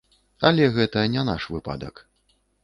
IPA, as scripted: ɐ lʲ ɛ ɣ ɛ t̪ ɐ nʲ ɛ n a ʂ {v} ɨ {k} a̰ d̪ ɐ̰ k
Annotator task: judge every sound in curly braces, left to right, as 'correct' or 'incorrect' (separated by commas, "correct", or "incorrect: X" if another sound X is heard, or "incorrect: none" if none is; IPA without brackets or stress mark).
correct, incorrect: p